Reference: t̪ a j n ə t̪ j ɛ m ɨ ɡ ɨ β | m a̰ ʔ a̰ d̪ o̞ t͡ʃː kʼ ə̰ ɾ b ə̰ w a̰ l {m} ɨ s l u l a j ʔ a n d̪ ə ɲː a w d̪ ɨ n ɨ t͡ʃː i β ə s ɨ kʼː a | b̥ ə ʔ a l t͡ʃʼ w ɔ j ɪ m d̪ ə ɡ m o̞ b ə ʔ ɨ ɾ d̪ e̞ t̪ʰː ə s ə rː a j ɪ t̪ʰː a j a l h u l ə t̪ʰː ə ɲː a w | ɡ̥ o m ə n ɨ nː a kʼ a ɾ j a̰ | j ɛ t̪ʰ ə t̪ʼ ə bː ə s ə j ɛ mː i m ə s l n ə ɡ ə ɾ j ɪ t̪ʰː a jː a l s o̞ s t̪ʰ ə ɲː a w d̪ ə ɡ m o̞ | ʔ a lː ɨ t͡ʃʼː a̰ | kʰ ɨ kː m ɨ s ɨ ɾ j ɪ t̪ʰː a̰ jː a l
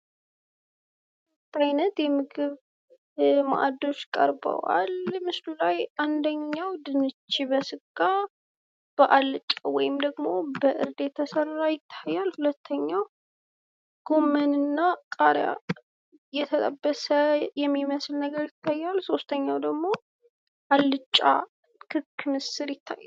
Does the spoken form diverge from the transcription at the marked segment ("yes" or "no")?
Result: no